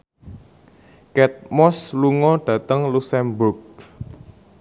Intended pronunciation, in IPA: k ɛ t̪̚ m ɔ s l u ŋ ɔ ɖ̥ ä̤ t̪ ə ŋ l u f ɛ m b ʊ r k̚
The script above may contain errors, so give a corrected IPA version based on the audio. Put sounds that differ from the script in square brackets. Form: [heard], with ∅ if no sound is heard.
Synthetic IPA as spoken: k ɛ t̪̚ m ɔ s l u ŋ ɔ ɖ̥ ä̤ t̪ ə ŋ l u [s] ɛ m b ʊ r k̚